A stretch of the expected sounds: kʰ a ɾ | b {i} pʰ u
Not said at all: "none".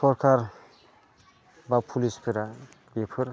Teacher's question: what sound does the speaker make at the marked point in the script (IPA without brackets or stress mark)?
a